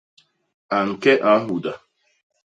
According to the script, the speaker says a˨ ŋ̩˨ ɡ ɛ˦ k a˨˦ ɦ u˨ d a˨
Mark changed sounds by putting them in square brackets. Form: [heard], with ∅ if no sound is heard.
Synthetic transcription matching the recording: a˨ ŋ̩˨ [k] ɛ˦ [ʔ] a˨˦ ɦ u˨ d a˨